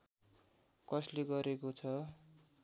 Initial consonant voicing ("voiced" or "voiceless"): voiceless